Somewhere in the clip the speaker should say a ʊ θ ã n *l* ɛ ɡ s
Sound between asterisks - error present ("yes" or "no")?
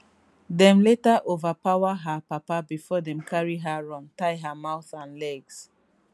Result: no